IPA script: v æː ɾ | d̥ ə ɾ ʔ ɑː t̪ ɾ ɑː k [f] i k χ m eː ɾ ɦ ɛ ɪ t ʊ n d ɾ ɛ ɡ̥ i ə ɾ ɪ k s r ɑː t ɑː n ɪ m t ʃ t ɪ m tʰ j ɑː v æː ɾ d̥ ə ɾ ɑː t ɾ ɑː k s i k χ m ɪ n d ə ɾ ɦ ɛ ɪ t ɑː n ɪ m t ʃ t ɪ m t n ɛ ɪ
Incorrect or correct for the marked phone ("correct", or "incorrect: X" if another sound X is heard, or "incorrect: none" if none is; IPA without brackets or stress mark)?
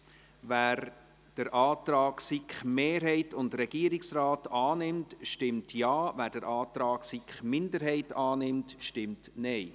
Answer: incorrect: s